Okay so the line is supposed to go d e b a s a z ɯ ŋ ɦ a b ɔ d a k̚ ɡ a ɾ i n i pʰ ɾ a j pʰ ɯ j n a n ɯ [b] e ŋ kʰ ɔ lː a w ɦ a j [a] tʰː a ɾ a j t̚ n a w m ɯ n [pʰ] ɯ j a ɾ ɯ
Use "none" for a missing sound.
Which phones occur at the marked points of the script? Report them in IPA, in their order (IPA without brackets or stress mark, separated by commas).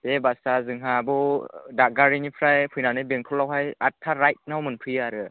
b, a, pʰ